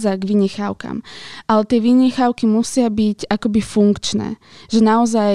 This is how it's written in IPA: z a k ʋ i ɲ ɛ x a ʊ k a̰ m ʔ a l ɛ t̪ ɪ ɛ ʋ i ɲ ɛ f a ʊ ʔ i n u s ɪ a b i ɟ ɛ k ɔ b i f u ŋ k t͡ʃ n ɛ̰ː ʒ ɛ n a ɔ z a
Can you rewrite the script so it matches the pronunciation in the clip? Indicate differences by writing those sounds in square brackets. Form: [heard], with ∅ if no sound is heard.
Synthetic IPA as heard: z a [ɡ] ʋ i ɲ ɛ x a ʊ k a̰ m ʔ a l ɛ t̪ ɪ ɛ ʋ i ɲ ɛ [x] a ʊ [k] i [m] u s ɪ a b i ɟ [a] k ɔ b i f u ŋ k t͡ʃ n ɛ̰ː ʒ ɛ n a ɔ z a